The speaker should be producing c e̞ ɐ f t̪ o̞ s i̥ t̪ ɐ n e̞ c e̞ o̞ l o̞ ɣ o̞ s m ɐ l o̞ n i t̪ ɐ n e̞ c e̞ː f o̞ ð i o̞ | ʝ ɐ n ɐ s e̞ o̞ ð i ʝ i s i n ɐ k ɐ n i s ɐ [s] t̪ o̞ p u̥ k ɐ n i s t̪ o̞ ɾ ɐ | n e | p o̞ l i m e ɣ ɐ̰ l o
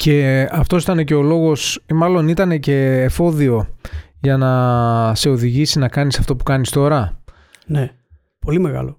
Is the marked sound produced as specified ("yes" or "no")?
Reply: no